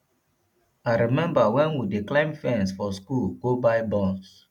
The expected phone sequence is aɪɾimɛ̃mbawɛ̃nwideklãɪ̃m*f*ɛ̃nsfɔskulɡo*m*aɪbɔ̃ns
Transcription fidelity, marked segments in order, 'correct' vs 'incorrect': correct, incorrect: b

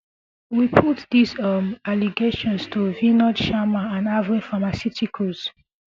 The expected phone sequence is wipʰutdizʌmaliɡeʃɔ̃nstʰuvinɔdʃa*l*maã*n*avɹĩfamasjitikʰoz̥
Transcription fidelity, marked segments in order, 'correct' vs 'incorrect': incorrect: none, correct

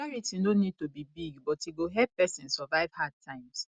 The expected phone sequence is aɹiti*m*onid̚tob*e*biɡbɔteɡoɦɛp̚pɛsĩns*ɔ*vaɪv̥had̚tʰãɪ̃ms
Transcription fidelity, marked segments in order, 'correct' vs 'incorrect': incorrect: n, incorrect: i, correct

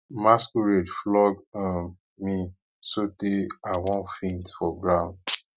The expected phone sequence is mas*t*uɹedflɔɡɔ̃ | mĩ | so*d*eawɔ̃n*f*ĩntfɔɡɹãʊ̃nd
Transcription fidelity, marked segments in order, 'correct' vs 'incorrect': incorrect: k, incorrect: t, correct

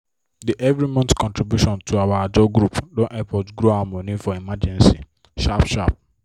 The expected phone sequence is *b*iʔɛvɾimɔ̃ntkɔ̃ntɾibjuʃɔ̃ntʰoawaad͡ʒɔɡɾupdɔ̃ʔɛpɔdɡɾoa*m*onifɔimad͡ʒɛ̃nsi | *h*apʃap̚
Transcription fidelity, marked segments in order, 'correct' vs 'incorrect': incorrect: d, correct, incorrect: ʃ

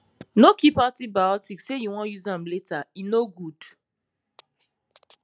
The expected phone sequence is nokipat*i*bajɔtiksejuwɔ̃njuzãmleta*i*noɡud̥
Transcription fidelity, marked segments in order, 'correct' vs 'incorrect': correct, correct

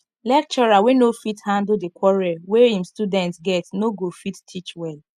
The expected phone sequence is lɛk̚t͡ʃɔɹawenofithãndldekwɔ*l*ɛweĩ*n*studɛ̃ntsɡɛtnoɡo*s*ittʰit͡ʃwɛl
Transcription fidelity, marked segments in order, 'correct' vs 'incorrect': incorrect: ɹ, incorrect: m, incorrect: f

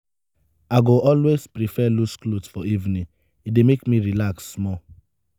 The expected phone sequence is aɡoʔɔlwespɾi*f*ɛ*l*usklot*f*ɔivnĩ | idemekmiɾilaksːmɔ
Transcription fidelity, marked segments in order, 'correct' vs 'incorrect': correct, correct, correct

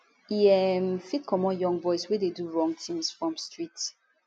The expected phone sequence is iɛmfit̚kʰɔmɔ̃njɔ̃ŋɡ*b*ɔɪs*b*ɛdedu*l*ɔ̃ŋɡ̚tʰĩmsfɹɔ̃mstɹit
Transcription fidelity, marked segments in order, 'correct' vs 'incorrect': correct, incorrect: w, incorrect: ɹ

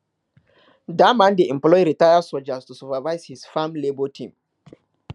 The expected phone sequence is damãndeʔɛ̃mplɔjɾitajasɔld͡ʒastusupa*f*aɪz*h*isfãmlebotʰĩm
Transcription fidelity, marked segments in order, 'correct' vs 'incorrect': incorrect: v, correct

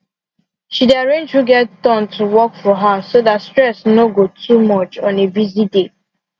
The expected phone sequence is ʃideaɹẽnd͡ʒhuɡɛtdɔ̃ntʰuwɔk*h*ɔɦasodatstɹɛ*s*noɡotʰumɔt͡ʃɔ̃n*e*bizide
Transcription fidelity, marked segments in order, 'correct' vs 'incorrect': incorrect: f, correct, correct

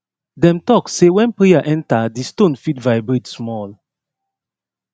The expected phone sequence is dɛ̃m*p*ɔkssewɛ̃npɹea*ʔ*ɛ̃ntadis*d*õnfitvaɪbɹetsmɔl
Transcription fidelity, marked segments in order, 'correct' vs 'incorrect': incorrect: t, correct, incorrect: t

